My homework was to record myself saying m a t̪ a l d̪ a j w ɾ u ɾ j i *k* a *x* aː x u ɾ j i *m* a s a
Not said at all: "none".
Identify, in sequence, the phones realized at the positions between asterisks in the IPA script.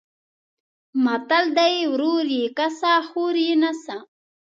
k, s, n

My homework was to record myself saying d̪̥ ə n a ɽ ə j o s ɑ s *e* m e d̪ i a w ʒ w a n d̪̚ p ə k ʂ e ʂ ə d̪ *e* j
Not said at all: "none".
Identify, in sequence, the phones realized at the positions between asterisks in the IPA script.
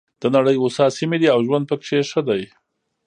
i, a

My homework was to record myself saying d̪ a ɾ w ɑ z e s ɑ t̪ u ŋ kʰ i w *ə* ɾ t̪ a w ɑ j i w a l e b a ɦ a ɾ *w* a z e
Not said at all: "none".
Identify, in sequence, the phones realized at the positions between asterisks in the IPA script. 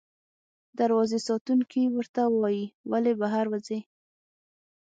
ə, w

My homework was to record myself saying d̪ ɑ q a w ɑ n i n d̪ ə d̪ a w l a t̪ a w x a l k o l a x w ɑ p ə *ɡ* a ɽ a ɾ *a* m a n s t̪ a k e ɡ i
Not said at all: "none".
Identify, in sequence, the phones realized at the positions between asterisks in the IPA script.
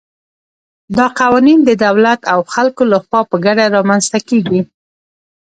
ɡ, ɑ

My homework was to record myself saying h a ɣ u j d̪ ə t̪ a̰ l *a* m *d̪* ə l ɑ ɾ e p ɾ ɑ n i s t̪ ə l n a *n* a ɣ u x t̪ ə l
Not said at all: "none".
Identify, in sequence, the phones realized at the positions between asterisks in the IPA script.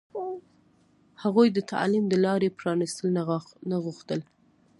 i, d̪, n

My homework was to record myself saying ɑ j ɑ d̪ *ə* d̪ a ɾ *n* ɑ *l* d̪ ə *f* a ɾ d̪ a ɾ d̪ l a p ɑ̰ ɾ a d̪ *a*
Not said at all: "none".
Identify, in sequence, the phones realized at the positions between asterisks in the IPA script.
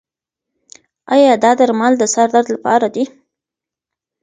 ɑ, m, l, s, i

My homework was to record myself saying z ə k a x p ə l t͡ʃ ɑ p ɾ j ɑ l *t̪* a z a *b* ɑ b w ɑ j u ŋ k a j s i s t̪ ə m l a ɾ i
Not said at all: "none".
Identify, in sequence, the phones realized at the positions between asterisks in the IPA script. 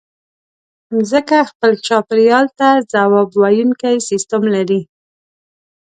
t̪, w

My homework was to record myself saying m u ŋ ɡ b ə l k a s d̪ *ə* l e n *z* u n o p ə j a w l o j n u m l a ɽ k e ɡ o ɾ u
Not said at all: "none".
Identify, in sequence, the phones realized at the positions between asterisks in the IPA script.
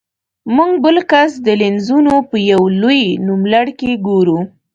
ə, z

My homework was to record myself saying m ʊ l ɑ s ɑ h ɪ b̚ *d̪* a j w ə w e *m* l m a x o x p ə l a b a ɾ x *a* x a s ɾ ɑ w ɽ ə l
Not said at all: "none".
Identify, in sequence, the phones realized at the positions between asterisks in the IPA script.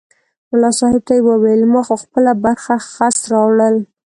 t̪, none, a

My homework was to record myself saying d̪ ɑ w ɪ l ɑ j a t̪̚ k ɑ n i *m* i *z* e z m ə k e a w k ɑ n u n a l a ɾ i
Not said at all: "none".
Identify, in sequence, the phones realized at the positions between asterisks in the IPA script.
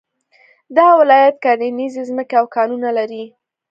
n, z

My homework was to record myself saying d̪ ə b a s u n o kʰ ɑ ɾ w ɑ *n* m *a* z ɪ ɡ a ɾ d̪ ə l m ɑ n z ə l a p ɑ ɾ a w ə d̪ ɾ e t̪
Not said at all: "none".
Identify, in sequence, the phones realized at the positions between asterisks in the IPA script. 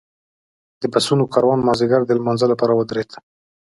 n, ɑ

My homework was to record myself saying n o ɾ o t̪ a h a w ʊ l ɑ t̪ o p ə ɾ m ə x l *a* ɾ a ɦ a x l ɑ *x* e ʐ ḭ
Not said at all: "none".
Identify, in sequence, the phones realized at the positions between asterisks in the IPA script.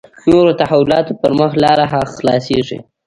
ɑ, s

